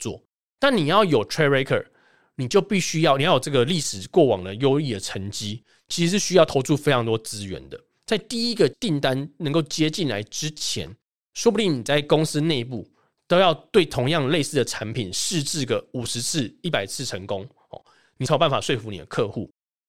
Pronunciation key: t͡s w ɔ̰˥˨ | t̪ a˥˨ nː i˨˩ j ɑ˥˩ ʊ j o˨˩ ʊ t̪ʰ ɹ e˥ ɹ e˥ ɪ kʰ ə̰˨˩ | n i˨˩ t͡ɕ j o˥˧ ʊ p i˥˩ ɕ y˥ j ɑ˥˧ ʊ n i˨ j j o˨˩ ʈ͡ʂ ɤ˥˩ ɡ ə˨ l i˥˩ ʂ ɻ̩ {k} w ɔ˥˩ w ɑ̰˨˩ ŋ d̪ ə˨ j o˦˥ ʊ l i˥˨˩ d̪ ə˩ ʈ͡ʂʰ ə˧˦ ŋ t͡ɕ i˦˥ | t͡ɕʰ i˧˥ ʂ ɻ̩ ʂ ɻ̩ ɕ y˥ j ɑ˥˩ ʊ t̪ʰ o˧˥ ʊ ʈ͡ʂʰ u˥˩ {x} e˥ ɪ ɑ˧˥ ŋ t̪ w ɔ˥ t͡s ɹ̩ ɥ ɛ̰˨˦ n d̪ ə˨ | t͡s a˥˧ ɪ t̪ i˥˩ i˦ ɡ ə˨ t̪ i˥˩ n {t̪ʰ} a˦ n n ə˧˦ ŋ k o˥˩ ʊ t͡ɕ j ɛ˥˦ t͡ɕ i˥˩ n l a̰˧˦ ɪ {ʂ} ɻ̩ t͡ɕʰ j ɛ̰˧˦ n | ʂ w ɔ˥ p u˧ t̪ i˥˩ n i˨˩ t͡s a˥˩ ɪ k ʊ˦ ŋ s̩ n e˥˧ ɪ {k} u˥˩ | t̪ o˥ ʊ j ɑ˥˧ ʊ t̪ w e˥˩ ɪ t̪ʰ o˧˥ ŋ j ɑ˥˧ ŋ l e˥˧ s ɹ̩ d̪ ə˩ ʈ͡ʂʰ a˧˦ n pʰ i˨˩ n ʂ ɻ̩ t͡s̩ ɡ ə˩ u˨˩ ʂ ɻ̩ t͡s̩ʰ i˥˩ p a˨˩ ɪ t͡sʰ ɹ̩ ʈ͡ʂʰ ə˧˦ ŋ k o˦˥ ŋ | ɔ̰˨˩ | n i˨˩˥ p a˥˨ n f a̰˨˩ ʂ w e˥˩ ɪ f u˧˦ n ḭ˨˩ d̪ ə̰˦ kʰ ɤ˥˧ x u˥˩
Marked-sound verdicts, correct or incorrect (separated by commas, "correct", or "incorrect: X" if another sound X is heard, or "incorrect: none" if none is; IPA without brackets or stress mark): correct, incorrect: f, incorrect: t̪, incorrect: ʈ͡ʂ, incorrect: p